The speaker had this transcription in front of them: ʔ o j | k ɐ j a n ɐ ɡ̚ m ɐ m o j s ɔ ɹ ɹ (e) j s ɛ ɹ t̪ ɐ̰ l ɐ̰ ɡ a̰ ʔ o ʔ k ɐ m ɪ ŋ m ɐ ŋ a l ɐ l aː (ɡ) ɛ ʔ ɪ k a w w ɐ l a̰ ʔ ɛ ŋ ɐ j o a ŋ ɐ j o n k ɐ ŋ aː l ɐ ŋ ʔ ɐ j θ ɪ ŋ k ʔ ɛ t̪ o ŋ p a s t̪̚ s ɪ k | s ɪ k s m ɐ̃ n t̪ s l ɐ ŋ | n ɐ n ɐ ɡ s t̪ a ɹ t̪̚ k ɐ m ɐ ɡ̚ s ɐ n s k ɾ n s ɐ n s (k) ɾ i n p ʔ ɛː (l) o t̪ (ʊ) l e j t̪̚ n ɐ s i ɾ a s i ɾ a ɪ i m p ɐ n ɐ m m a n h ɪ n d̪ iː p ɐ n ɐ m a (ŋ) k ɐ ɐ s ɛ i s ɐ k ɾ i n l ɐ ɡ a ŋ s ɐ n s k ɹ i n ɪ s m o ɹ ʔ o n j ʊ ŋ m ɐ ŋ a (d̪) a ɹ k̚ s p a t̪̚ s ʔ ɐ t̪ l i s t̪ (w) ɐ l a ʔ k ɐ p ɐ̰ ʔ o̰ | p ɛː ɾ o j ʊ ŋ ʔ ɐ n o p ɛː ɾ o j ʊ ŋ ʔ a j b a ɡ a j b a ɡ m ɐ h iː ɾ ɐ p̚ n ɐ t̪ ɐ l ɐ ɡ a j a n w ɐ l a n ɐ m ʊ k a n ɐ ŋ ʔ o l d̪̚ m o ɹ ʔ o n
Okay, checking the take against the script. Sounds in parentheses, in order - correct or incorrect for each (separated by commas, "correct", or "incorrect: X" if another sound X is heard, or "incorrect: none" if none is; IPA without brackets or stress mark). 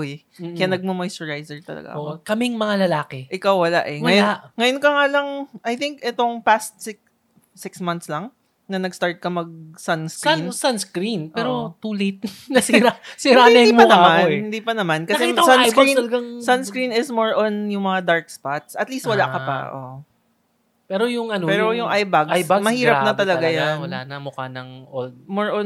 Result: incorrect: a, incorrect: k, correct, incorrect: ɾ, incorrect: u, incorrect: n, correct, correct